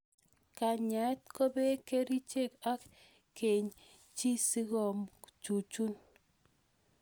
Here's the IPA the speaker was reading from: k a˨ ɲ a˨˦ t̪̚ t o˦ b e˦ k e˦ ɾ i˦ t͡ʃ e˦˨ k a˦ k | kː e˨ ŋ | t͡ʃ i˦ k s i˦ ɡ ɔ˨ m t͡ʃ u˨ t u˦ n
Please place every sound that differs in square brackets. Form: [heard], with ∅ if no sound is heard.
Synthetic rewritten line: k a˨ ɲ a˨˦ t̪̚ [k] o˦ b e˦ k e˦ ɾ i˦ t͡ʃ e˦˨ k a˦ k | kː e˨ [ɲ] | t͡ʃ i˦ [∅] s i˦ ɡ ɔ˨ m t͡ʃ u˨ [t͡ʃ] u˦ n